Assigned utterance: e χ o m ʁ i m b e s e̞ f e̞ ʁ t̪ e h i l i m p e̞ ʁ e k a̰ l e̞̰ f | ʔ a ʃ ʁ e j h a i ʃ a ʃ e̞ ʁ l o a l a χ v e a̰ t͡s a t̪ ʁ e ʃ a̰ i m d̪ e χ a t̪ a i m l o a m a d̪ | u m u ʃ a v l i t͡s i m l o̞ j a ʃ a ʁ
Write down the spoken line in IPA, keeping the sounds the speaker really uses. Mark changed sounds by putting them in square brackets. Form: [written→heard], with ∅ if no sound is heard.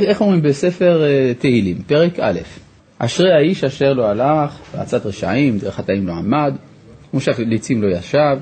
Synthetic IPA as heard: e χ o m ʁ i m b e s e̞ f e̞ ʁ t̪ e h i l i m p e̞ ʁ e k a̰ l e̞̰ f | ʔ a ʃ ʁ e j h a i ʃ a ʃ e̞ ʁ l o a l a χ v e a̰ t͡s a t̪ ʁ e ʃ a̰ i m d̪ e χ a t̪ a i m l o a m a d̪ | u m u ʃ a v l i t͡s i m l o̞ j a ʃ a [ʁ→v]